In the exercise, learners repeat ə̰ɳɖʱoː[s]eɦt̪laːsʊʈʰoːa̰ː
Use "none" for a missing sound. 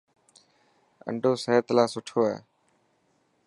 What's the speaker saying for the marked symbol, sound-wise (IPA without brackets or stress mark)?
s